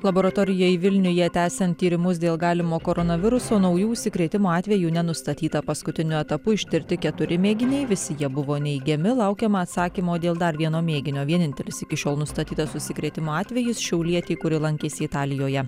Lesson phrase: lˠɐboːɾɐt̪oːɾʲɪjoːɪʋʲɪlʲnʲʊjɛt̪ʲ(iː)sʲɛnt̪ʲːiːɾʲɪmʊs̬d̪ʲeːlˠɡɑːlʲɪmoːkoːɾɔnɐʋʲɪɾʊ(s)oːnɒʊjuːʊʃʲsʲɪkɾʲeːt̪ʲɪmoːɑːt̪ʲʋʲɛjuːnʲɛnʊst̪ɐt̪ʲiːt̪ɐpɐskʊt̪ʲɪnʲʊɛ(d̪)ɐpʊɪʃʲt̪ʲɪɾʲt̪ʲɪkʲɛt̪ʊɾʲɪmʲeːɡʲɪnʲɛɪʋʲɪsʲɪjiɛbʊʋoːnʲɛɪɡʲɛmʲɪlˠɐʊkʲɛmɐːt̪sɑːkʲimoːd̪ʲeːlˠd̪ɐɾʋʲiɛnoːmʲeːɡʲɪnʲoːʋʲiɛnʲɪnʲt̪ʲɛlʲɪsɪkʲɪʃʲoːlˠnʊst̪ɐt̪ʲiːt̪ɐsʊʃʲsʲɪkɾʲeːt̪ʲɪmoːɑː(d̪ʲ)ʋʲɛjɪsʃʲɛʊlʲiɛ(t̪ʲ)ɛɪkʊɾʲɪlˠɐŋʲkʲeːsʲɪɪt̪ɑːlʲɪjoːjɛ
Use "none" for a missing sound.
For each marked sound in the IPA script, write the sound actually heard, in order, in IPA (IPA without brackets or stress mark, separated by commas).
æː, s, t̪, t̪ʲ, t̪ʲ